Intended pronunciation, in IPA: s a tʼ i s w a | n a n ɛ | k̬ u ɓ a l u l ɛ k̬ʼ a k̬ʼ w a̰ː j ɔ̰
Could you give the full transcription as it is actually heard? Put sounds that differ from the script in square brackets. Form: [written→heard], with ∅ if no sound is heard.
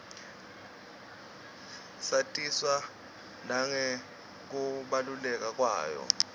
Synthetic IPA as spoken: s a tʼ i s w a | n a [n→ŋ] ɛ | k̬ u ɓ a l u l ɛ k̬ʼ a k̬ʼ w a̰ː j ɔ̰